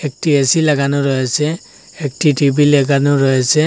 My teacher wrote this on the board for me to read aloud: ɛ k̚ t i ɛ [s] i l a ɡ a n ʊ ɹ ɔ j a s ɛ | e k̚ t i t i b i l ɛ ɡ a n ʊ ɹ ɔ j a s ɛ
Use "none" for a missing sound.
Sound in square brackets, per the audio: s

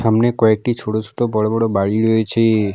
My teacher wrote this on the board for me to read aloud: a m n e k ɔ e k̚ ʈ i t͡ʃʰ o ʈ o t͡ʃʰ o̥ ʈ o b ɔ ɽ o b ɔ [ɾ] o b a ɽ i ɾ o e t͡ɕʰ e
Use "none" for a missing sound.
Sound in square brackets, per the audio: ɽ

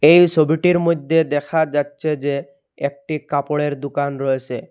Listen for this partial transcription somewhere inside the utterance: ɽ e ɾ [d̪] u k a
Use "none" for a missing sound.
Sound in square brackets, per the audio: d̪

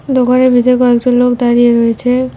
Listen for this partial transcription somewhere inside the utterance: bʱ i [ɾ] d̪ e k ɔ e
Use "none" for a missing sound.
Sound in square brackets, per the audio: none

